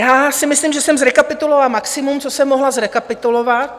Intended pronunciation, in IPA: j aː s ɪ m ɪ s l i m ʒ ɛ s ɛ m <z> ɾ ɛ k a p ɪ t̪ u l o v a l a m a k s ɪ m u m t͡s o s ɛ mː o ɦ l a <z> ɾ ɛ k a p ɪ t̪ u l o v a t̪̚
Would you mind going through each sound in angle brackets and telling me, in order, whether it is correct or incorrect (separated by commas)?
correct, correct